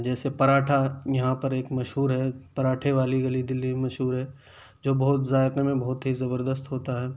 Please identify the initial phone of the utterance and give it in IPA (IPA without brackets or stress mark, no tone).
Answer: d͡ʒ